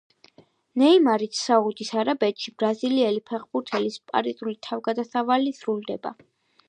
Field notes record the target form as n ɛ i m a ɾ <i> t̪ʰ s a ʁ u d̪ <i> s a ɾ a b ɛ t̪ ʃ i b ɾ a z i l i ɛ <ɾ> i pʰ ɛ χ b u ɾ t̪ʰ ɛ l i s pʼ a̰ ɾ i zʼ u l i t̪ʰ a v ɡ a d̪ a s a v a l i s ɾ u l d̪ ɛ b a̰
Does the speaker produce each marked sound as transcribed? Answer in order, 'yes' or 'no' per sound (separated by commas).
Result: yes, yes, no